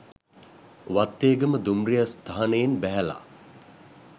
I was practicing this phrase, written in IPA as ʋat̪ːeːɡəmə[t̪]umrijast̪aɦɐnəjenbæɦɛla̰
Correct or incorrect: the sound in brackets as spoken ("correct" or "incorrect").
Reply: incorrect